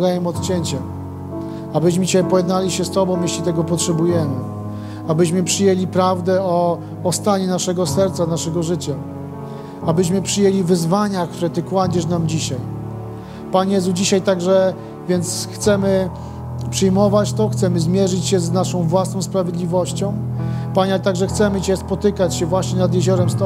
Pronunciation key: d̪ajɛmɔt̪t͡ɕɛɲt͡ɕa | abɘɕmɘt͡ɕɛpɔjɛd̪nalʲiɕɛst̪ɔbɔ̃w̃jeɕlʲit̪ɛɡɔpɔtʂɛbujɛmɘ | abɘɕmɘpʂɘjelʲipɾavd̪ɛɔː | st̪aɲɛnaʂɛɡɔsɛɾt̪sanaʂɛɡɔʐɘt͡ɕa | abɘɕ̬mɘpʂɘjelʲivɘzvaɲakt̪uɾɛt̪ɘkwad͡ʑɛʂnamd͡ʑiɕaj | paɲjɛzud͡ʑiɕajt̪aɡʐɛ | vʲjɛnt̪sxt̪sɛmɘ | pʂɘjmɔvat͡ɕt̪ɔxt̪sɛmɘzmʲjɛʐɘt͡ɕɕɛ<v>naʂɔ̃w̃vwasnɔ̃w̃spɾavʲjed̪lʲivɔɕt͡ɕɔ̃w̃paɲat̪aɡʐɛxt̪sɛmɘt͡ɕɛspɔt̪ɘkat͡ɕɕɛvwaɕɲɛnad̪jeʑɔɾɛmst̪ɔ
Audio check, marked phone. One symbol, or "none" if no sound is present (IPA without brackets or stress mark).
z